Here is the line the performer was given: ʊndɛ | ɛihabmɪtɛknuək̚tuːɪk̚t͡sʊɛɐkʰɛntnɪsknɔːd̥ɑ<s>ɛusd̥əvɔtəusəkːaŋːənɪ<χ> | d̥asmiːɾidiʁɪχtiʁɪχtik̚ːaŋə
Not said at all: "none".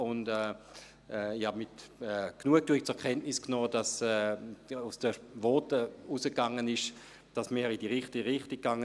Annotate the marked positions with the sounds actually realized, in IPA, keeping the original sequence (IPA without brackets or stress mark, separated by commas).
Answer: s, ʃ